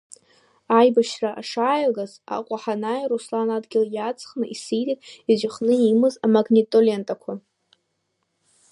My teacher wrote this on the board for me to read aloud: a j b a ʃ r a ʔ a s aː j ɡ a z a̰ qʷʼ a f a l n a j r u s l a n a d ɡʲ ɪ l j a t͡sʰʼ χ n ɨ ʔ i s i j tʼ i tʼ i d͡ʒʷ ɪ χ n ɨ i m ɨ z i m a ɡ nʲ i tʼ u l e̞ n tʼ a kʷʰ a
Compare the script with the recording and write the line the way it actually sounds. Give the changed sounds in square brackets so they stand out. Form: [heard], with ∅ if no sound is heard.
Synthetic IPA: a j b a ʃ r a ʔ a [ʂ] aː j ɡ a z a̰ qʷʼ a [ħ] a [∅] n a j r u s l a n a d ɡʲ ɪ l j a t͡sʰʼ χ n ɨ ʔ i s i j tʼ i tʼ i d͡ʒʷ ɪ χ n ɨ i m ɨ z [a] m a ɡ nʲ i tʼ [o] l e̞ n tʼ a kʷʰ a